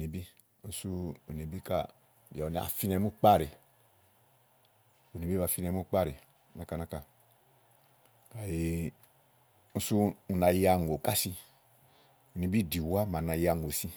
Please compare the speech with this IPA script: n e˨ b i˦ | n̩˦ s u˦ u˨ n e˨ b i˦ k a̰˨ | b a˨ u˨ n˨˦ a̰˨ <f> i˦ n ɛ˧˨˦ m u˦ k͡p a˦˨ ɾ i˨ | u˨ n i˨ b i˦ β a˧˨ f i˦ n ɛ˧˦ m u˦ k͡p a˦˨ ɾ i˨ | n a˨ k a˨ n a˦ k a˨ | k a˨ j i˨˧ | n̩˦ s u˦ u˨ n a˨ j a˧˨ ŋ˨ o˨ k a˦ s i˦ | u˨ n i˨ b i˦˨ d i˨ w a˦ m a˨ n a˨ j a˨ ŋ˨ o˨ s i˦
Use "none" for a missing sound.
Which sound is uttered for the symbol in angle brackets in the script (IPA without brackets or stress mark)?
f